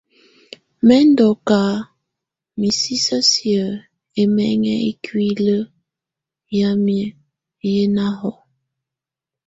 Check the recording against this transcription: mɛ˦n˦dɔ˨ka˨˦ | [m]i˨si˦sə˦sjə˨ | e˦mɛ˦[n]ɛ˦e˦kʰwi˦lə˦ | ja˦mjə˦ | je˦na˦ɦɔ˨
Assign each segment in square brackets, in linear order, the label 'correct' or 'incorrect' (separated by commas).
correct, incorrect